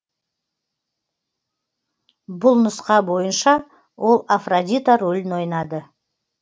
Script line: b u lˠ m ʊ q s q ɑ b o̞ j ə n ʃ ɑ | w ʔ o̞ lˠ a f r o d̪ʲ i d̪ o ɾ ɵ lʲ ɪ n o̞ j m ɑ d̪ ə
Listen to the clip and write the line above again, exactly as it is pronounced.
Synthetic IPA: b ʊ lˠ n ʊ s q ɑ b o̞ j ə n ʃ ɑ | w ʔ o̞ lˠ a f r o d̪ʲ i t̪ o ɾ ɵ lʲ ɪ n o̞ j n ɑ d̪ ə